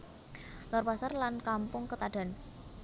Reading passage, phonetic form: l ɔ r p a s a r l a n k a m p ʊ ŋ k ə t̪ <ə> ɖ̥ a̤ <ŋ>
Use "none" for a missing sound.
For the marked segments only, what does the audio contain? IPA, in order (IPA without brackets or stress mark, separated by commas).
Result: a, n